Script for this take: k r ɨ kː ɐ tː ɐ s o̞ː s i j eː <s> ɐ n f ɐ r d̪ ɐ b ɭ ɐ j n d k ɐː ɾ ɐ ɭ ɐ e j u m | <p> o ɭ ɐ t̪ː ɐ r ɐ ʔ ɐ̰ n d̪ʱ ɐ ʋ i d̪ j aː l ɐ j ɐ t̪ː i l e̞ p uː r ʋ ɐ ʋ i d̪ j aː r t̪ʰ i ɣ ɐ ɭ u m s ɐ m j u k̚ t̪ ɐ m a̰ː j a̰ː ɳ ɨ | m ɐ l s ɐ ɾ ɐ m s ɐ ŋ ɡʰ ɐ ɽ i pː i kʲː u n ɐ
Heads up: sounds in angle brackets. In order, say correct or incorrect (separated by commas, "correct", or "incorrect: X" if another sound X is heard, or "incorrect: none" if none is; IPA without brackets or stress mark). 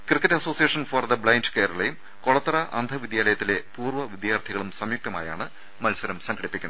incorrect: ʂ, incorrect: k